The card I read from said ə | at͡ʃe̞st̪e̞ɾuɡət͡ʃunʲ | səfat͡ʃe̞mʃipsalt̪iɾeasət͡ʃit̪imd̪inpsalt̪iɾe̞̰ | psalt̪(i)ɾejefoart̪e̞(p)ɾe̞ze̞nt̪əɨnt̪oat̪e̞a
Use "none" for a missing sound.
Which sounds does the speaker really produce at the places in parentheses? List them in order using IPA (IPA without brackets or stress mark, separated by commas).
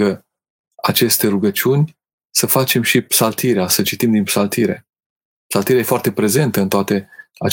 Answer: i, p